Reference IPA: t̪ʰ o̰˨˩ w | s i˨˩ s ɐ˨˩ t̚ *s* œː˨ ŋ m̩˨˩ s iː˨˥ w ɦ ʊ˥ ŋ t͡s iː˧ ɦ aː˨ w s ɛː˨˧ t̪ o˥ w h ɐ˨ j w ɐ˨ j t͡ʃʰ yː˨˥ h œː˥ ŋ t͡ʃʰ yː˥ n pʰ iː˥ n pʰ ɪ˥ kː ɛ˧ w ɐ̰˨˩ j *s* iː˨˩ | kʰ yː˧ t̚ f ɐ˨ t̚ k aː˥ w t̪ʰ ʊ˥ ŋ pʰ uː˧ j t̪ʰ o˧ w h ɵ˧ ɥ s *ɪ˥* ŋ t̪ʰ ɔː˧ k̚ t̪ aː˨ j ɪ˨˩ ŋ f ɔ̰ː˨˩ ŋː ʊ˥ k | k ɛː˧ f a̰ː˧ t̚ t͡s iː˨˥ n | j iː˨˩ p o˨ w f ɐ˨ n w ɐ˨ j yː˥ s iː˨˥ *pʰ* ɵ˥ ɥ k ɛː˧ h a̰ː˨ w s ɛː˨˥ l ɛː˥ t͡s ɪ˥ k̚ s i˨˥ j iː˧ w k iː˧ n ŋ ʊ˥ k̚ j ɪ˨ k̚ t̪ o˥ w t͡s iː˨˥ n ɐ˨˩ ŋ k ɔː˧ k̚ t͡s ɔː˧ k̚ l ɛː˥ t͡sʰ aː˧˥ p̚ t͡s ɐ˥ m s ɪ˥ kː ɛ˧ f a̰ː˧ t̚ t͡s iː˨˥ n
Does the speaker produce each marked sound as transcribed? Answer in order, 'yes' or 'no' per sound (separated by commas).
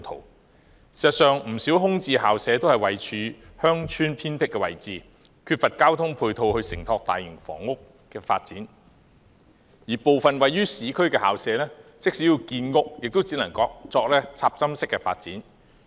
yes, no, no, no